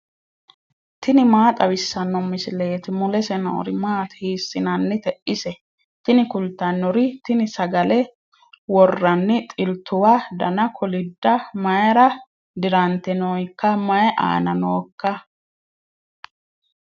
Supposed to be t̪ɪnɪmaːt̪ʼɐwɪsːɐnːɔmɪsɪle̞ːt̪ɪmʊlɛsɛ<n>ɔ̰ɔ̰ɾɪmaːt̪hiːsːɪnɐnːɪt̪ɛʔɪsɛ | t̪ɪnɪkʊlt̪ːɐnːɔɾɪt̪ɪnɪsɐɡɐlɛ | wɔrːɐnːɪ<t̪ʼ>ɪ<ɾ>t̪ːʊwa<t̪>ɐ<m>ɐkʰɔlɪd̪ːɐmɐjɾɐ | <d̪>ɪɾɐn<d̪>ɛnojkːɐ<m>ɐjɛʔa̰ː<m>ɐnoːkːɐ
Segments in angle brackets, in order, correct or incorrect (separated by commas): correct, correct, incorrect, incorrect, incorrect, correct, incorrect, correct, incorrect